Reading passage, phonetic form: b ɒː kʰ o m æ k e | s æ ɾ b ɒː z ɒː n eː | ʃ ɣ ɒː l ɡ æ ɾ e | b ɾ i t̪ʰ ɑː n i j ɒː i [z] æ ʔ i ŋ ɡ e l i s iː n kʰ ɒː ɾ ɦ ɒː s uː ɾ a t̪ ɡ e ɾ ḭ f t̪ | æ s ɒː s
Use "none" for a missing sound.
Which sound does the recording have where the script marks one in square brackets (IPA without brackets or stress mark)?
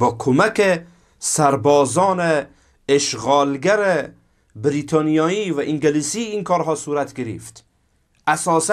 v